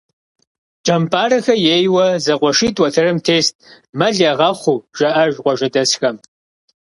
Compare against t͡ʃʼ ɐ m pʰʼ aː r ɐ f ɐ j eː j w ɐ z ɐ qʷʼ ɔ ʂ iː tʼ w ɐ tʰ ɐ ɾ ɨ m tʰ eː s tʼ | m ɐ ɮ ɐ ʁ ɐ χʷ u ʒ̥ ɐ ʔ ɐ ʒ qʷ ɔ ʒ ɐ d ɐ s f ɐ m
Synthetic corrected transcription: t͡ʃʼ ɐ m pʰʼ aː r ɐ x ɐ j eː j w ɐ z ɐ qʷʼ ɔ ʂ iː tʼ w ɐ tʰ ɐ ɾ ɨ m tʰ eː s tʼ | m ɐ ɮ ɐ ʁ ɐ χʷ u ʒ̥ ɐ ʔ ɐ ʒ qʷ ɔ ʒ ɐ d ɐ s x ɐ m